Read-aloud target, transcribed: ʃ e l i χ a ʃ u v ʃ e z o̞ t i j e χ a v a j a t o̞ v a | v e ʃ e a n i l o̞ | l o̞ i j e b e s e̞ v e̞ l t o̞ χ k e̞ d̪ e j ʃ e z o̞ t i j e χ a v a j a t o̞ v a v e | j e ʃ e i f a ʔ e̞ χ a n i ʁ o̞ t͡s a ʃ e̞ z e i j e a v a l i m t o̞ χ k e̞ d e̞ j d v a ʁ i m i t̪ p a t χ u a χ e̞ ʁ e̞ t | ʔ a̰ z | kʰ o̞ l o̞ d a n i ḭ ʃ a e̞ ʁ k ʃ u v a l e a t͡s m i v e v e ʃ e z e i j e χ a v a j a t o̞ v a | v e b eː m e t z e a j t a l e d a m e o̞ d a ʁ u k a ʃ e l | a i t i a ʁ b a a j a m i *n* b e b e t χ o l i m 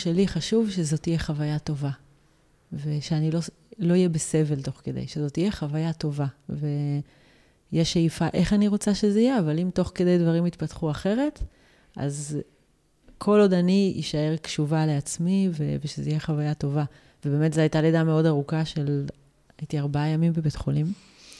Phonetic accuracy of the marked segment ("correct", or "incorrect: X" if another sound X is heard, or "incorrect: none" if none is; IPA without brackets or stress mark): incorrect: m